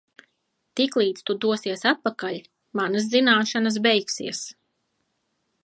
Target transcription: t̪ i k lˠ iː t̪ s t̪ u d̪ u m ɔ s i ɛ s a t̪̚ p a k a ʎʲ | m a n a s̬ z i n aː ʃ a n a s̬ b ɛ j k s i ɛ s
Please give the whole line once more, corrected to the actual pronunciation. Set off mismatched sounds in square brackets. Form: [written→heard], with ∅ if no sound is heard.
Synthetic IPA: t̪ i k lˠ iː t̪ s t̪ u d̪ u [m→∅] ɔ s i ɛ s a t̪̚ p a k a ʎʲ | m a n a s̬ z i n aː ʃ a n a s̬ b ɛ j k s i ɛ s

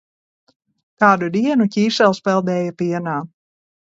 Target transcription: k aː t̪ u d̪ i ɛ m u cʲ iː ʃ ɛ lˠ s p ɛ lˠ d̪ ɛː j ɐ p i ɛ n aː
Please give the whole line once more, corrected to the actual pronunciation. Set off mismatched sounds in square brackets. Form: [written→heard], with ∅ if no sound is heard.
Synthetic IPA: k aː [t̪→d̪] u d̪ i ɛ [m→n] u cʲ iː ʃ ɛ lˠ s p ɛ lˠ d̪ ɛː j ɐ p i ɛ n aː

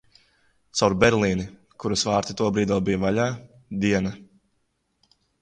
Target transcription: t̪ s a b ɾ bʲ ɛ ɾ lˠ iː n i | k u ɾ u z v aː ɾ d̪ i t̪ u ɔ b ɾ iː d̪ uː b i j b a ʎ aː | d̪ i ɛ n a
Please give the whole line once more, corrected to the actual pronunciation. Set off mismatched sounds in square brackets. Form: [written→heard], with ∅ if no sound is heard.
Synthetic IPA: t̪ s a [b→w] ɾ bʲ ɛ ɾ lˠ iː n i | k u ɾ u [z→s] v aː ɾ [d̪→t̪] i t̪ u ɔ b ɾ iː d̪ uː b i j [b→v] a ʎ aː | d̪ i ɛ n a

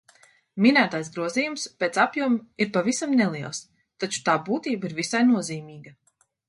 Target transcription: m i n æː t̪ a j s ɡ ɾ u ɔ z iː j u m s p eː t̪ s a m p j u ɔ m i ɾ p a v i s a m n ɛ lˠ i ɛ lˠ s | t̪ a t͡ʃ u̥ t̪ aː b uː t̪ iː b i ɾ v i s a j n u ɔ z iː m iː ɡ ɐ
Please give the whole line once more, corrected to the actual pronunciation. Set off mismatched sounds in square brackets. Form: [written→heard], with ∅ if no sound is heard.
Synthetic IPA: m i n æː t̪ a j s ɡ ɾ u ɔ z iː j u m s p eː t̪ s a [m→∅] p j u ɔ m i ɾ p a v i s a m n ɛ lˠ i ɛ lˠ s | t̪ a t͡ʃ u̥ t̪ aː b uː t̪ iː b i ɾ v i s a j n u ɔ z iː m iː ɡ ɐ

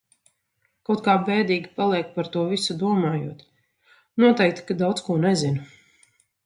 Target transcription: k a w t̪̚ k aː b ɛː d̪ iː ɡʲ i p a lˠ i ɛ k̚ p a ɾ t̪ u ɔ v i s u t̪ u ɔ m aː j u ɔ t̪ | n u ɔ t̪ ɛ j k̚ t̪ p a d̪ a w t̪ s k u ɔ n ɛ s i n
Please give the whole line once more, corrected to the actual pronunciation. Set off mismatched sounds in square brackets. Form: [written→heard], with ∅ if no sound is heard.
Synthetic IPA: k a w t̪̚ k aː b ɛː d̪ iː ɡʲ i p a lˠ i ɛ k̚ p a ɾ t̪ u ɔ v i s u [t̪→d̪] u ɔ m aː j u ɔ t̪ | n u ɔ t̪ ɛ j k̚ t̪ [p→k] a d̪ a w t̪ s k u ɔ n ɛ [s→z] i n

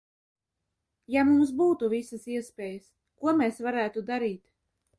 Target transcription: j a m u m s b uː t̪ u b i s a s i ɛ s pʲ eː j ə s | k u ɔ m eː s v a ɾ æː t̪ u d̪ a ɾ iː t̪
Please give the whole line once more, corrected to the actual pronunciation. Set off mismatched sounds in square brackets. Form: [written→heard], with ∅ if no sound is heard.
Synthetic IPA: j a m u m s b uː t̪ u [b→v] i s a s i ɛ s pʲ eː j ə s | k u ɔ m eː s v a ɾ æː t̪ u d̪ a ɾ iː t̪

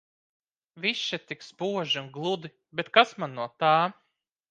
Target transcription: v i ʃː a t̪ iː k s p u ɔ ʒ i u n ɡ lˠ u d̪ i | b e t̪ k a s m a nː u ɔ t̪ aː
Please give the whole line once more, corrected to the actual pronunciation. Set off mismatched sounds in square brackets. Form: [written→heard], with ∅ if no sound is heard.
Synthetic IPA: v i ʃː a t̪ [iː→i] k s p u ɔ ʒ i u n ɡ lˠ u d̪ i | b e t̪ k a s m a nː u ɔ t̪ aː

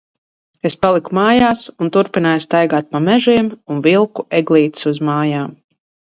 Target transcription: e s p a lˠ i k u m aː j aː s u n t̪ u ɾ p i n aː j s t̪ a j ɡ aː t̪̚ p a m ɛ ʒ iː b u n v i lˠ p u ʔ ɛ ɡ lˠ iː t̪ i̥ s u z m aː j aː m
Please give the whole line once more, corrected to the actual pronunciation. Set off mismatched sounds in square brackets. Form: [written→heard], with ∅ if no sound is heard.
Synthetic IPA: e s p a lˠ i k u m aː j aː s u n t̪ u ɾ p i n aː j s t̪ a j ɡ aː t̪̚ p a m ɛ ʒ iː [b→m] u n v i lˠ [p→k] u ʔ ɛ ɡ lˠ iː t̪ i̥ s u z m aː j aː m

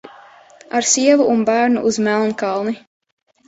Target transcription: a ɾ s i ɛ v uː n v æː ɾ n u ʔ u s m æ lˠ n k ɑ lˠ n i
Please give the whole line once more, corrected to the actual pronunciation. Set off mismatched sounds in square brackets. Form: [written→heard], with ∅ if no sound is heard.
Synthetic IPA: a ɾ s i ɛ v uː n [v→b] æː ɾ n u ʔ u [s→z] m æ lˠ n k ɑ lˠ n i

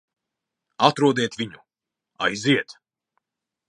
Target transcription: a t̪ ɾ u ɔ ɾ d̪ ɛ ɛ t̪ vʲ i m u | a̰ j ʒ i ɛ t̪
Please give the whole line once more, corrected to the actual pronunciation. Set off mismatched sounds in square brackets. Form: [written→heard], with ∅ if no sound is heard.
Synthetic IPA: a t̪ ɾ u ɔ [ɾ→∅] d̪ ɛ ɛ t̪ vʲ i [m→ɲ] u | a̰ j [ʒ→z] i ɛ t̪

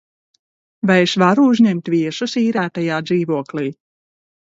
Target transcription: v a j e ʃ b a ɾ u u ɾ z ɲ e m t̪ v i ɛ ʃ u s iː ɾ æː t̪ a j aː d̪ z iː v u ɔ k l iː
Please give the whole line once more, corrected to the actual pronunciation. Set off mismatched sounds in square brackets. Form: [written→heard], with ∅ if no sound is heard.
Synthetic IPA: v a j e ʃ [b→v] a ɾ u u [ɾ→∅] z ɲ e m t̪ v i ɛ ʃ u s iː ɾ æː t̪ a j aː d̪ z iː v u ɔ k l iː

